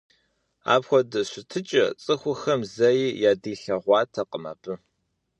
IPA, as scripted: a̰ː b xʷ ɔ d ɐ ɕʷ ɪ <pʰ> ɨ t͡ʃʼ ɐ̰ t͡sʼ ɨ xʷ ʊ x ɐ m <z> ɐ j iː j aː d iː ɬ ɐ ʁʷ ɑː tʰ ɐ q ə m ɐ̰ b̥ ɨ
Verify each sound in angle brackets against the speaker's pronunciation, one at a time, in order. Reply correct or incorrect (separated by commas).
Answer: incorrect, correct